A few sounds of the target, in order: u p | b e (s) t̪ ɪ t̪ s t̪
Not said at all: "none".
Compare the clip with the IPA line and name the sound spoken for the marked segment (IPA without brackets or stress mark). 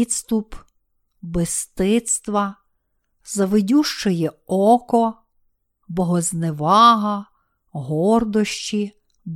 s